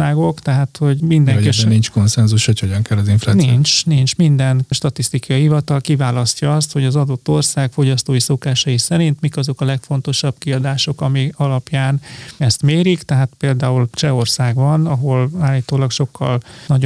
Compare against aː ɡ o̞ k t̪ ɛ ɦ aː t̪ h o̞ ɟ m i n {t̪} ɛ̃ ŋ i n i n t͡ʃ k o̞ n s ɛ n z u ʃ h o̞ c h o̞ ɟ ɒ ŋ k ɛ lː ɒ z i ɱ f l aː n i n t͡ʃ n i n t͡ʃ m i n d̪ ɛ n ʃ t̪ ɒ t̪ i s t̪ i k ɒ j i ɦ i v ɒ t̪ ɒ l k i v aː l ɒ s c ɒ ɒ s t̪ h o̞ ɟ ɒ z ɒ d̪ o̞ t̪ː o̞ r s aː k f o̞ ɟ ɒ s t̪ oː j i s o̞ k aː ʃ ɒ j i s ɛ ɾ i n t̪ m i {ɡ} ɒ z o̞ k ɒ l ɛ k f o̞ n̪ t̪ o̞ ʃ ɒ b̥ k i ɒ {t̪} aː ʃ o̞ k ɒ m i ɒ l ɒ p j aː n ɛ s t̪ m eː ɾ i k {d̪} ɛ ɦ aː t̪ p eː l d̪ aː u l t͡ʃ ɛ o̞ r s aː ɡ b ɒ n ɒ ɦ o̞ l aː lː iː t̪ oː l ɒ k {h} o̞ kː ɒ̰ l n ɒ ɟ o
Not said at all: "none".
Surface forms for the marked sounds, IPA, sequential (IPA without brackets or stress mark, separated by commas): d̪, k, d̪, t̪, ʃ